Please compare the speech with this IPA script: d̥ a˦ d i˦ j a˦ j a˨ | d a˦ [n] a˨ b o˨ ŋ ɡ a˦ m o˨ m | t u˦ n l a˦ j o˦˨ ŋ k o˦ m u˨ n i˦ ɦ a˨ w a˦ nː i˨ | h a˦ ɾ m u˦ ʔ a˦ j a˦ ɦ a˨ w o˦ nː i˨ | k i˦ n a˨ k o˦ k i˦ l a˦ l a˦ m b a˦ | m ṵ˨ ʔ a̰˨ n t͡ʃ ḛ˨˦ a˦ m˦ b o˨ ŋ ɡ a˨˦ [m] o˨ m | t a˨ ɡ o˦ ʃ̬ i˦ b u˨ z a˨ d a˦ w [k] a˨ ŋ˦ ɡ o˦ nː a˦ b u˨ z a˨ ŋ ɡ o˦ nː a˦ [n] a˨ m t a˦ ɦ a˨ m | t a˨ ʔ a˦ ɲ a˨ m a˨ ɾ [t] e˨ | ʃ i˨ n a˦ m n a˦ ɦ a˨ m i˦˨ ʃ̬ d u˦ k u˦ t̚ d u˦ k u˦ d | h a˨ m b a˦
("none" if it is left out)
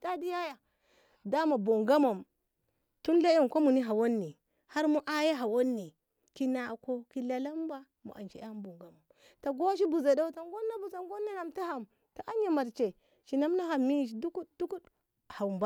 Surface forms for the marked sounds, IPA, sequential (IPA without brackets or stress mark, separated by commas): m, m, t, n, t͡ʃ